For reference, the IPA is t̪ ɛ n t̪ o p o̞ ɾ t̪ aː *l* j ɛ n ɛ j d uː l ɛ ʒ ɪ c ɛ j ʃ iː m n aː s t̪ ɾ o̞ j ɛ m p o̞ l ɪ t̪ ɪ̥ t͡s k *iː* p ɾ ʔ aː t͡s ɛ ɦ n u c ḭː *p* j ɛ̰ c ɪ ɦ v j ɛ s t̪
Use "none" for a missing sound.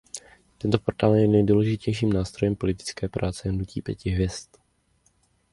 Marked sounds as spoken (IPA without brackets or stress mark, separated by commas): l, ɛː, p